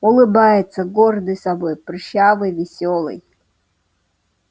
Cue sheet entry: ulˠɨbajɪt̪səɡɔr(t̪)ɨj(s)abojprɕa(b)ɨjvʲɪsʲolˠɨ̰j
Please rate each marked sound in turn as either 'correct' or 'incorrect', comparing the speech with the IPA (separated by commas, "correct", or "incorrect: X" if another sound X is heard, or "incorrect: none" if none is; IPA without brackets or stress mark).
incorrect: d̪, correct, incorrect: v